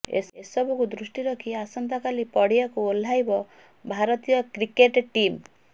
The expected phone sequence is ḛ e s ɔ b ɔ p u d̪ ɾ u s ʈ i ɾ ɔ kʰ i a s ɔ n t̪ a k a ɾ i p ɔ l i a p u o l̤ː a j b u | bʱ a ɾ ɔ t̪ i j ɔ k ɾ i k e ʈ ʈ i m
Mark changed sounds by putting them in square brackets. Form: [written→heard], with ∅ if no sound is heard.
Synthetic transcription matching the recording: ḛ e s ɔ b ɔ [p→k] u d̪ ɾ u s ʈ i ɾ ɔ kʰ i a s ɔ n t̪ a k a [ɾ→l] i p ɔ [l→ɽ] i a [p→k] u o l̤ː a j b [u→ɔ] | bʱ a ɾ ɔ t̪ i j ɔ k ɾ i k e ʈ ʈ i m